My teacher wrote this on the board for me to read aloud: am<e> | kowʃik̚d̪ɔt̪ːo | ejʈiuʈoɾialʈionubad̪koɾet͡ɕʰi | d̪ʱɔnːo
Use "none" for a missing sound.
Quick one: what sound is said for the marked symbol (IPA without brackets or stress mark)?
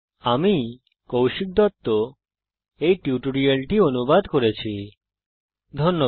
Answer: i